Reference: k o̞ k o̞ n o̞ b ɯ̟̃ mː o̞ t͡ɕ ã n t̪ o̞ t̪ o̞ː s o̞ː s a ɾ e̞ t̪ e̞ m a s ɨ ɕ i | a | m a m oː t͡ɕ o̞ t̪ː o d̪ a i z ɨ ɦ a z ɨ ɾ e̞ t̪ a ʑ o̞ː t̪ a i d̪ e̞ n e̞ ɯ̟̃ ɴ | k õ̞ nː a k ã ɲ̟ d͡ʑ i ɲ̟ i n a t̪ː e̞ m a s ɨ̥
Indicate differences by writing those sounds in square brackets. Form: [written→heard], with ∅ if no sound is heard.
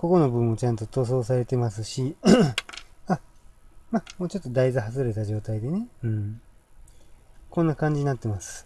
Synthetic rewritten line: k o̞ k o̞ n o̞ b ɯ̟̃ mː o̞ t͡ɕ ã n t̪ o̞ t̪ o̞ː s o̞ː s a ɾ e̞ t̪ e̞ m a s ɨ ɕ i | a | m a m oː t͡ɕ o̞ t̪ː o d̪ a i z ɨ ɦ a z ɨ ɾ e̞ t̪ a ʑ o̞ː t̪ a i d̪ e̞ n e̞ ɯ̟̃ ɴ | k õ̞ nː a k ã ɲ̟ d͡ʑ i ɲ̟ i n a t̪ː e̞ m a s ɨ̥